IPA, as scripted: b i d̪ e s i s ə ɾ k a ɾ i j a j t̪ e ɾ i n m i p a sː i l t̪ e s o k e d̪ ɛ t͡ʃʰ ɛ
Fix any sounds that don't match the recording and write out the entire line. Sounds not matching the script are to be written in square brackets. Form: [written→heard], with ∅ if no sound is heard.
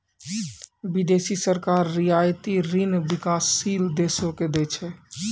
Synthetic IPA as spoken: b i d̪ e s i s ə ɾ k a [ɾ→ɾː] i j a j t̪ [e→i] ɾ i n [m→b] i [p→k] a sː i l [t̪→d̪] e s o k e d̪ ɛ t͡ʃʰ ɛ